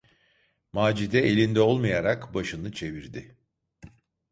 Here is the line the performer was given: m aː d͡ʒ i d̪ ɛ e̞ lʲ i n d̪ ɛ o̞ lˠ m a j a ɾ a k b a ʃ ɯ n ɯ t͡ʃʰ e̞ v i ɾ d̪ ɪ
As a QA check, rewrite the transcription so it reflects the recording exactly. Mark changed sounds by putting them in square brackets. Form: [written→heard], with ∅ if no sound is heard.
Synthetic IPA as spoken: m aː d͡ʒ i d̪ ɛ e̞ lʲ i n d̪ ɛ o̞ lˠ m a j a ɾ a k b a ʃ ɯ n ɯ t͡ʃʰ e̞ v i ɾ d̪ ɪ